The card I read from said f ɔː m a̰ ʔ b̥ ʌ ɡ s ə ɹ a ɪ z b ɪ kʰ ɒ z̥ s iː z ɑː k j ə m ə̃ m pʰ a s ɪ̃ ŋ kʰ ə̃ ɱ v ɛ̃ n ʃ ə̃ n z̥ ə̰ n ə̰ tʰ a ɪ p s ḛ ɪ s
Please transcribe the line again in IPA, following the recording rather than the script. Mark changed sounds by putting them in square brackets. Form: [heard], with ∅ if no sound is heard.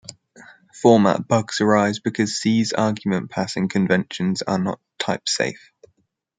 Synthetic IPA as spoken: f ɔː m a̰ ʔ b̥ ʌ ɡ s ə ɹ a ɪ z b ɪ kʰ ɒ z̥ s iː z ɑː [ɡ] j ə m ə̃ [n] pʰ a s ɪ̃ ŋ kʰ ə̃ ɱ v ɛ̃ n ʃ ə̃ n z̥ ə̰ n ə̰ tʰ a ɪ p s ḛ ɪ [f]